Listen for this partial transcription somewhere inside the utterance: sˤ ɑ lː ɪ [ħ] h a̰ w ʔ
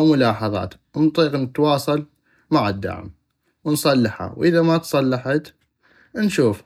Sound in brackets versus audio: correct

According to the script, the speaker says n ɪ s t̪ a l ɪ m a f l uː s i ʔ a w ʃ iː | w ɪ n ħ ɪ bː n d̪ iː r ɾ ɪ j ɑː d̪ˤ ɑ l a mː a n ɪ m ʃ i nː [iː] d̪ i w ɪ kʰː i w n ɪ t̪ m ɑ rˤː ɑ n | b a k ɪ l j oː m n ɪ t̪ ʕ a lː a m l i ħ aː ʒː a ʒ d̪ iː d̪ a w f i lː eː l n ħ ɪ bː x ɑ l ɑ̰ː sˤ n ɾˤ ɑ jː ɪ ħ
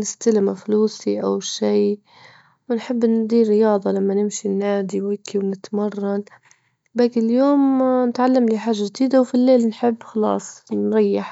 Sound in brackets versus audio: incorrect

